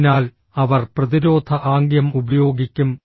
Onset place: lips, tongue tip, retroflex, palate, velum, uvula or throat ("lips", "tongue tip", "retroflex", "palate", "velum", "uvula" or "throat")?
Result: tongue tip